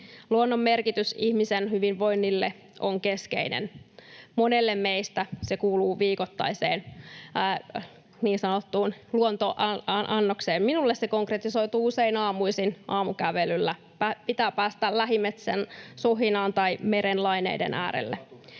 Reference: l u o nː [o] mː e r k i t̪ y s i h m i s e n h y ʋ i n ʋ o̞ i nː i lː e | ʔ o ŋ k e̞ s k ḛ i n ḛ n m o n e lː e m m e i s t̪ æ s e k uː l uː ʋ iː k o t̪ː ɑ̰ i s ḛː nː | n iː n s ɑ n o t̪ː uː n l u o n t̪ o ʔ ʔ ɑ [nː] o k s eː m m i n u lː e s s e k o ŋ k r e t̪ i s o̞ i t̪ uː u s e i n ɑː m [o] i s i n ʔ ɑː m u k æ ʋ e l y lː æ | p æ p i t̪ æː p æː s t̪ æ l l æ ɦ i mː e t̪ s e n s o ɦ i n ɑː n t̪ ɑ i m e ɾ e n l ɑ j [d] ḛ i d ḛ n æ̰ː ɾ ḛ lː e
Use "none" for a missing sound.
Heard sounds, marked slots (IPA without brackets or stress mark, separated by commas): o, nː, u, n